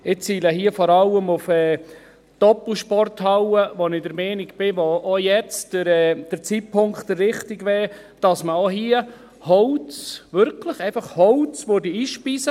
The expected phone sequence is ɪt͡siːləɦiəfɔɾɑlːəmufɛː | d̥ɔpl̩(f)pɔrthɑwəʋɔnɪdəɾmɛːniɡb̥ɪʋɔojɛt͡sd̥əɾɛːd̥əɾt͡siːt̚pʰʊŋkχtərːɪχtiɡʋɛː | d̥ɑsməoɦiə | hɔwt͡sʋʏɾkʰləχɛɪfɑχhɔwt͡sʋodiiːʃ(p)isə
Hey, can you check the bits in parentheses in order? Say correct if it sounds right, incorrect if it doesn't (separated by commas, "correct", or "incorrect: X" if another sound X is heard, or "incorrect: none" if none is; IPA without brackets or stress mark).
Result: incorrect: ʃ, correct